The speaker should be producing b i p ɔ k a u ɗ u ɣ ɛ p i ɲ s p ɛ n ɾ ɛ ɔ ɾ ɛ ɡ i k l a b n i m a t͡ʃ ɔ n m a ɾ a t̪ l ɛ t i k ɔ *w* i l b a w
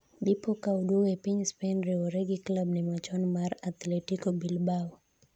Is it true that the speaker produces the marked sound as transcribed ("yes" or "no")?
no